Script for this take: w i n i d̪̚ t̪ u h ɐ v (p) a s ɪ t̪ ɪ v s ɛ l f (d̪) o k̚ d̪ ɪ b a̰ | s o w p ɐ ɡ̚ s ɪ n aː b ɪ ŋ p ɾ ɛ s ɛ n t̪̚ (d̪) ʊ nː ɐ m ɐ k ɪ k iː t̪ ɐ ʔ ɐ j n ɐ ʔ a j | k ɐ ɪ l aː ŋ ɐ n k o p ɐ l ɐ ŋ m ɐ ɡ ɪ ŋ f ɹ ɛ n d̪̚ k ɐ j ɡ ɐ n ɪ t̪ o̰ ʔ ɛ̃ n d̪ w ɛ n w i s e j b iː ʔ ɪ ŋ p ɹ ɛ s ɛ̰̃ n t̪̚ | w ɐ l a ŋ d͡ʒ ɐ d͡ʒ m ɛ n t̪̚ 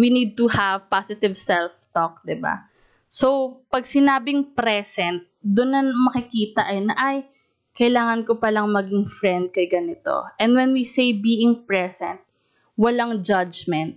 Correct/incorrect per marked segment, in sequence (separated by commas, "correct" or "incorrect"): correct, incorrect, correct